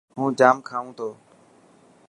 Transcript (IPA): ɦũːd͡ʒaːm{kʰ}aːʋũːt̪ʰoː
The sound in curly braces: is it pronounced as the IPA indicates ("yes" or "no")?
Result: yes